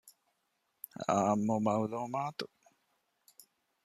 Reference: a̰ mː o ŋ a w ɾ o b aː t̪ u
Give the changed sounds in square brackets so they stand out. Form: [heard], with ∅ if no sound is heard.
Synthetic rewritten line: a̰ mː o [m] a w [l] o [m] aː t̪ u

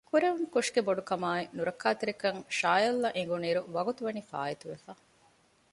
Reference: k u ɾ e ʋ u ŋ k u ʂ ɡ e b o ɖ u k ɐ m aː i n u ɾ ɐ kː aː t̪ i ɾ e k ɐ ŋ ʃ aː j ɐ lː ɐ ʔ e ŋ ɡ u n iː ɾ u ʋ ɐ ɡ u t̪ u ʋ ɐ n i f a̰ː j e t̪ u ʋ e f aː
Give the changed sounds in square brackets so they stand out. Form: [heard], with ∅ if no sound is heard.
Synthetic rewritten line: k u ɾ e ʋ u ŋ k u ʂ ɡ e b o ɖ u k ɐ m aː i n u ɾ ɐ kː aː t̪ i ɾ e k ɐ ŋ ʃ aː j ɐ lː ɐ ʔ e ŋ ɡ u n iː ɾ u ʋ ɐ ɡ u t̪ u ʋ ɐ n i f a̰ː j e t̪ u ʋ e f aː

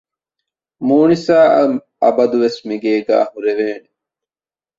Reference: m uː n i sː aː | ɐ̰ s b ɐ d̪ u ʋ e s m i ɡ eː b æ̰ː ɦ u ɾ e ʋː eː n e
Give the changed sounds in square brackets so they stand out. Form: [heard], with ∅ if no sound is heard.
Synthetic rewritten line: m uː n i [s] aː | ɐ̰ [∅] b ɐ d̪ u ʋ e s m i ɡ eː [ɡ] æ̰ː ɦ u ɾ e [ʋ] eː n e

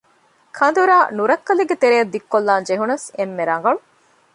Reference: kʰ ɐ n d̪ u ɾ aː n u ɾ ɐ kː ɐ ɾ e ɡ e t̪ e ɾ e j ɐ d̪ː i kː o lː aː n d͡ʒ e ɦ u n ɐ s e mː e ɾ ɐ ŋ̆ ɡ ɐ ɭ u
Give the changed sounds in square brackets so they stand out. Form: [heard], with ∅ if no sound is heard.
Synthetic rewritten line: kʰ ɐ n d̪ u ɾ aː n u ɾ ɐ kː ɐ [l] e ɡ e t̪ e ɾ e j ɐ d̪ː i kː o lː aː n d͡ʒ e ɦ u n ɐ s e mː e ɾ ɐ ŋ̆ ɡ ɐ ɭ u

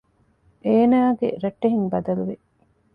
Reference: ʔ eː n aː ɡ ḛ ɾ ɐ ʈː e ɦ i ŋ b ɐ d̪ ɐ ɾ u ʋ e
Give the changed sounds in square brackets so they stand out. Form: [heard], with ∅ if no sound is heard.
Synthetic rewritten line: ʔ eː n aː ɡ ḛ ɾ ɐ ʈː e ɦ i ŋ b ɐ d̪ ɐ [l] u ʋ e

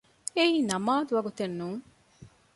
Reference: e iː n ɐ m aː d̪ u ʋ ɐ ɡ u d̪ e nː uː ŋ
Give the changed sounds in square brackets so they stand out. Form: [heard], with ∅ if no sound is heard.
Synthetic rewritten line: e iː n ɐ m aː d̪ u ʋ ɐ ɡ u [t̪] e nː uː ŋ

